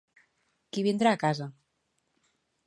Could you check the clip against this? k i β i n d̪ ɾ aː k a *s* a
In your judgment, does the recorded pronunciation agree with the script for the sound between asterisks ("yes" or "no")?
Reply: no